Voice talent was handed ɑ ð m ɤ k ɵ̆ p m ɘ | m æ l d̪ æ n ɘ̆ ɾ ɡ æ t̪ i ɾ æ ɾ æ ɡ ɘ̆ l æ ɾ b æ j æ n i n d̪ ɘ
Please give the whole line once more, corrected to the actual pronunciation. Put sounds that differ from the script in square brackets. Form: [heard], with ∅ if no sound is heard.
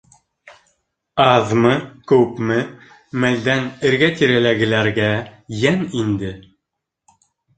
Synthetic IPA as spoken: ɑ ð m ɤ k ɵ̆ p m ɘ | m æ l d̪ æ n ɘ̆ ɾ ɡ æ t̪ i ɾ æ [l] æ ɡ ɘ̆ l æ ɾ [ɡ] æ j æ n i n d̪ ɘ